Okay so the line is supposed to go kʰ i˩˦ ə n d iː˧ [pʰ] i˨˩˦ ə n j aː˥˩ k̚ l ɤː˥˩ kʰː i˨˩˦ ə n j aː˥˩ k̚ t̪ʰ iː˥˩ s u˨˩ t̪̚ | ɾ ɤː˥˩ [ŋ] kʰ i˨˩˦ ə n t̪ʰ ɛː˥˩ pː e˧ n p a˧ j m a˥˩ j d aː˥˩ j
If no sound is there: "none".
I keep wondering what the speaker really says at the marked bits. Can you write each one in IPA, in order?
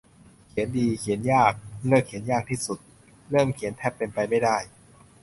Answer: kʰ, m

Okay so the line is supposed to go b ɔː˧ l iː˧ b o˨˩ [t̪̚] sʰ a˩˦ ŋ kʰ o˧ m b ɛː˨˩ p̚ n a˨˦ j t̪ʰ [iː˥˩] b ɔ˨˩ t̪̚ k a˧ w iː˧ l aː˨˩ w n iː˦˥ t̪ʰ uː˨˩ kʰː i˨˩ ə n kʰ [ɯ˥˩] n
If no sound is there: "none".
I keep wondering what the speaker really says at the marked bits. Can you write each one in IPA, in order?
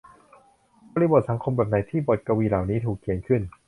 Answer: t̪̚, iː˥˩, ɯ˥˩

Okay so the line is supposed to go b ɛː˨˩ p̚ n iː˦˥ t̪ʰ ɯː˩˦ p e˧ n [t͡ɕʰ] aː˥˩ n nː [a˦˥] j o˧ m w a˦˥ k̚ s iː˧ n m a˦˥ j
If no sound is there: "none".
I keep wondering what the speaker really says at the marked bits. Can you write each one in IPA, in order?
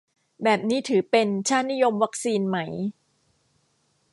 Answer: t͡ɕʰ, i˦˥

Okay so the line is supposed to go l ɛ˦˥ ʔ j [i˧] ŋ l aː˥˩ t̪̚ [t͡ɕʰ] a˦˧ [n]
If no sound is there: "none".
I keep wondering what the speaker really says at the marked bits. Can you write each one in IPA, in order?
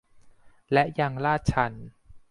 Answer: a˧, t͡ɕʰ, n

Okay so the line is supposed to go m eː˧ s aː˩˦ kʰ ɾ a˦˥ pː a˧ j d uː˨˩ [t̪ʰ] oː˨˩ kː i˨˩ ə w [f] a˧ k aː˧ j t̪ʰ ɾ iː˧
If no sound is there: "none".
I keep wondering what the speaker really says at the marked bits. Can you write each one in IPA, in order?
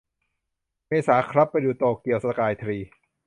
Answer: t̪, s

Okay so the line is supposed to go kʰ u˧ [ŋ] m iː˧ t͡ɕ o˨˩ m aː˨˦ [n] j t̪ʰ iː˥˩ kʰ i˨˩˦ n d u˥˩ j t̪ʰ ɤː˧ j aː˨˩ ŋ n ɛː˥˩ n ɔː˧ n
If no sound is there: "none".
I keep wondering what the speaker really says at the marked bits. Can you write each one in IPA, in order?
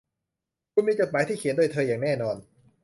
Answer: n, none

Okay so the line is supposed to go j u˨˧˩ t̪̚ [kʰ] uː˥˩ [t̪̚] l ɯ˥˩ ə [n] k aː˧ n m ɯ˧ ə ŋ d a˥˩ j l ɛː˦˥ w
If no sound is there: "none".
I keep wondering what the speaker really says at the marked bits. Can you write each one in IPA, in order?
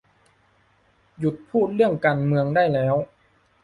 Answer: pʰ, t̪̚, ŋ

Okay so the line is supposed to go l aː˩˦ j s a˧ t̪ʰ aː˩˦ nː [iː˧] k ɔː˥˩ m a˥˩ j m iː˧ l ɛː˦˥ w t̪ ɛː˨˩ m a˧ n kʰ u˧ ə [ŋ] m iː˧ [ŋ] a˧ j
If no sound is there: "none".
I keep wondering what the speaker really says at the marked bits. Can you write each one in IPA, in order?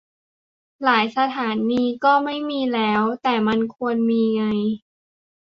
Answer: iː˧, n, ŋ

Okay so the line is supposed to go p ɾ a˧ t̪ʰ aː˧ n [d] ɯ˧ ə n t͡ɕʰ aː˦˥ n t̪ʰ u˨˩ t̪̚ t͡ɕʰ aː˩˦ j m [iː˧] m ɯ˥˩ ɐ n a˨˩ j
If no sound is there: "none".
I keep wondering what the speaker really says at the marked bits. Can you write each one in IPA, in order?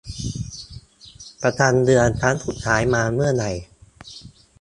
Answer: d, aː˧

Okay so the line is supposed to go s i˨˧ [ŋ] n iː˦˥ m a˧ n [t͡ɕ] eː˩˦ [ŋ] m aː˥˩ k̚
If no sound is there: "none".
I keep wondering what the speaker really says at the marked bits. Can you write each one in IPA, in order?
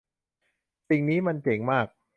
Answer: ŋ, t͡ɕ, ŋ

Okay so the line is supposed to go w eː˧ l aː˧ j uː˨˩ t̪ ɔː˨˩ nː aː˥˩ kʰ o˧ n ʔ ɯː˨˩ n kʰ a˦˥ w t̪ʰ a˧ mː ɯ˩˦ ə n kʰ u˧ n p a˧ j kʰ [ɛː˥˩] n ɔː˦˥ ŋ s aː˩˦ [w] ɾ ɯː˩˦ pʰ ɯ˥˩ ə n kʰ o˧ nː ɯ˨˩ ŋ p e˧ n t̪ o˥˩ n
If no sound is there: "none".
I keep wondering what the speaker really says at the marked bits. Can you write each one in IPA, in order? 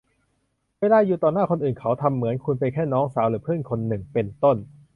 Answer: ɛː˥˩, w

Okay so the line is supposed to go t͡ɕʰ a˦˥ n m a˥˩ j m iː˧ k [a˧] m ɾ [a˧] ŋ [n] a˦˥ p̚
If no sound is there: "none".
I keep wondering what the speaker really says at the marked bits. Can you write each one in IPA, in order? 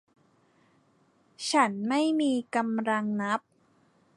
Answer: a˧, a˧, n

